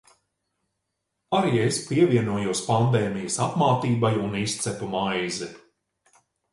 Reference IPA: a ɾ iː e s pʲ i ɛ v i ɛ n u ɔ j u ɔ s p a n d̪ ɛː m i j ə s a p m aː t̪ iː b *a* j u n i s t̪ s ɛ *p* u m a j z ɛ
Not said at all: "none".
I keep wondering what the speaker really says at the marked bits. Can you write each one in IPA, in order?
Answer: a, p

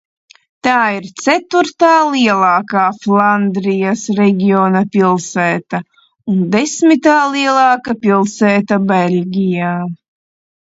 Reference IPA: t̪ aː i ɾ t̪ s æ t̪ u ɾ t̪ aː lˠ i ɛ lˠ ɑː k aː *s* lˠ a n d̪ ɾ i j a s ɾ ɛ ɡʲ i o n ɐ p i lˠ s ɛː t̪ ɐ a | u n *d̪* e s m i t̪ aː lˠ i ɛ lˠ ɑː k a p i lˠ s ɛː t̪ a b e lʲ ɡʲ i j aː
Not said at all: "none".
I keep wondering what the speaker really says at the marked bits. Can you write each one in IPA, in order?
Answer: f, d̪

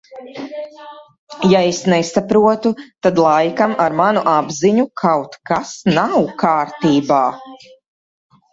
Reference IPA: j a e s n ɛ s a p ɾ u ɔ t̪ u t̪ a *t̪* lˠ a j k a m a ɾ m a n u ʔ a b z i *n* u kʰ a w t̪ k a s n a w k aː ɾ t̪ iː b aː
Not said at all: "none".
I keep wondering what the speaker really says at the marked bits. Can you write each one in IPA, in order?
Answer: d̪, ɲ

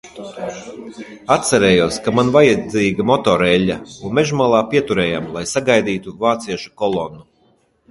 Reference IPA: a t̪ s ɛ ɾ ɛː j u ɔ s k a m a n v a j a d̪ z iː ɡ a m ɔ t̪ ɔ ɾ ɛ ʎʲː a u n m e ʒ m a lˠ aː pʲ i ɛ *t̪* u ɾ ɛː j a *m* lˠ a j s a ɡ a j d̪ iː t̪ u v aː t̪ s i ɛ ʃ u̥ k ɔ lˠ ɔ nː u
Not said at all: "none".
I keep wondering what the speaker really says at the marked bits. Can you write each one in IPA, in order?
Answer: t̪, m

